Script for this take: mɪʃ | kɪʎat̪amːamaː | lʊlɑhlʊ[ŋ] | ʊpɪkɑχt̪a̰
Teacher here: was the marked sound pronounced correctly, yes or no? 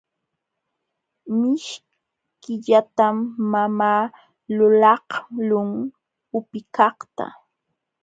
yes